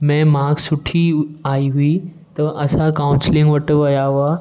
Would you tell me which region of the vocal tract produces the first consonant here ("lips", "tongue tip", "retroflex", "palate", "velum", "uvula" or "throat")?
lips